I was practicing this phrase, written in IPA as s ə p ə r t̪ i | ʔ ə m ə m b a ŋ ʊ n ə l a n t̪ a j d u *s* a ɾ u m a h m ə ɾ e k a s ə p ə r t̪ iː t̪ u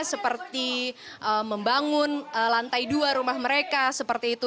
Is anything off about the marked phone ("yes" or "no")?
yes